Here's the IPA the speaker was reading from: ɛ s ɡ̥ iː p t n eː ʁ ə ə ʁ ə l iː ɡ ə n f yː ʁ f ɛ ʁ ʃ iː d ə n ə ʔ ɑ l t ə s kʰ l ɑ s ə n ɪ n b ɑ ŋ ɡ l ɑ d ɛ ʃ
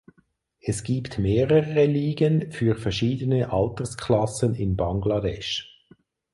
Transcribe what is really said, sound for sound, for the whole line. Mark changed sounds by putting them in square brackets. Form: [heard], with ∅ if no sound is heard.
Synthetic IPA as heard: ɛ s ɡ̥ iː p t [m] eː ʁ ə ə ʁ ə l iː ɡ ə n f yː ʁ f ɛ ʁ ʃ iː d ə n ə ʔ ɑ l t ə s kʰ l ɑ s ə n ɪ n b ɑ ŋ ɡ l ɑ d ɛ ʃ